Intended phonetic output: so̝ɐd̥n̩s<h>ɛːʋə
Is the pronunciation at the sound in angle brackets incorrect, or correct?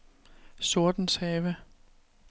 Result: correct